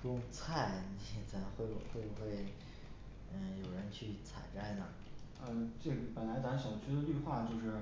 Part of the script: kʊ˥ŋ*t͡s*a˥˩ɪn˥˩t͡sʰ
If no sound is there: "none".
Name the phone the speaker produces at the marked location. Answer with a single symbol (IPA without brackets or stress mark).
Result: t͡sʰ